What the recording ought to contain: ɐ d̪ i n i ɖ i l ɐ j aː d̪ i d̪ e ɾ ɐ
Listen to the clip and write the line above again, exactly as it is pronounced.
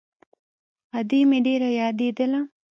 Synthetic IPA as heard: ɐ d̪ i m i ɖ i ɾ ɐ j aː d̪ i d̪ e l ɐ